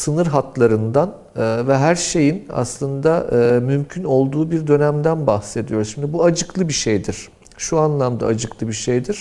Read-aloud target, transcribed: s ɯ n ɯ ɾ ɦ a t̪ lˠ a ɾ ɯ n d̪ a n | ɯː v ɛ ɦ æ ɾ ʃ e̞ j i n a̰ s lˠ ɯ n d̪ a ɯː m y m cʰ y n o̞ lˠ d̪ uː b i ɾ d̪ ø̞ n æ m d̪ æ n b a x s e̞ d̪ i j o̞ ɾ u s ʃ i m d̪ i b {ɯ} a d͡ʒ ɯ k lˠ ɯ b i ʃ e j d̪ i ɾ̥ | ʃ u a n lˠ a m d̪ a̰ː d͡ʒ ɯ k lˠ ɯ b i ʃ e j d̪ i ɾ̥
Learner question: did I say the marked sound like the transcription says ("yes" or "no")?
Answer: no